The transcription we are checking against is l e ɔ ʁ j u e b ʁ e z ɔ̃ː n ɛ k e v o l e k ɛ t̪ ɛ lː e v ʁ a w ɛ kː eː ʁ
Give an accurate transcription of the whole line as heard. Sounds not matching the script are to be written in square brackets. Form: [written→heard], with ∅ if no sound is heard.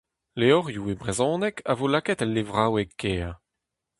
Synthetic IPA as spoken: l e ɔ ʁ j u e b ʁ e z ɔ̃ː n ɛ k [e→a] v o l [e→a] k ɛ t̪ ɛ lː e v ʁ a w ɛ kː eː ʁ